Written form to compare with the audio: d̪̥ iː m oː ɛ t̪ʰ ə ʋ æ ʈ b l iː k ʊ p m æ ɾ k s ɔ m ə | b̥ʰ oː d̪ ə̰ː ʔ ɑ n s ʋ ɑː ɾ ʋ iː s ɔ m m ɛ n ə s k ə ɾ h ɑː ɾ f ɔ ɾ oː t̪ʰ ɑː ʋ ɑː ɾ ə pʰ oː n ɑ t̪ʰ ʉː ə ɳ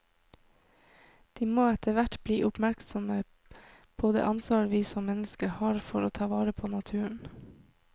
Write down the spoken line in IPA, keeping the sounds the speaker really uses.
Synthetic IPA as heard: d̪̥ iː m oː ɛ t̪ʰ ə ʋ æ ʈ b l iː ʔ ʊ p m æ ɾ k s ɔ m ə | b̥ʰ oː d̪ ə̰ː ʔ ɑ n s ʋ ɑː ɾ ʋ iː s ɔ m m ɛ n ə s k ə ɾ h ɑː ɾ f ɔ ɾ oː t̪ʰ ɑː ʋ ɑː ɾ ə pʰ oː n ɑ t̪ʰ ʉː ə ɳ